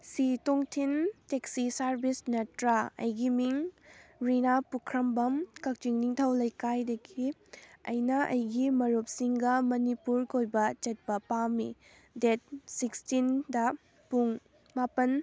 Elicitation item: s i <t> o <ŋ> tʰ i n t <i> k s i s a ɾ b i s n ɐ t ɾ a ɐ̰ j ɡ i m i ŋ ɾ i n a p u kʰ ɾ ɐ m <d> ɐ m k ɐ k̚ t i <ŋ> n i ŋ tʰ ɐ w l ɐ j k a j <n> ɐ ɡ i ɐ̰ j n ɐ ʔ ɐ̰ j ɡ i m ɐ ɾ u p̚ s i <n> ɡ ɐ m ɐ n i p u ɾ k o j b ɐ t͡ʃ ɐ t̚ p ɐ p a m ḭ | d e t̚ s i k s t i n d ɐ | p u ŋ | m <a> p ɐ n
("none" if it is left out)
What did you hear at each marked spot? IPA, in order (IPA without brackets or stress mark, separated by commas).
t, ŋ, e, b, ŋ, d, ŋ, a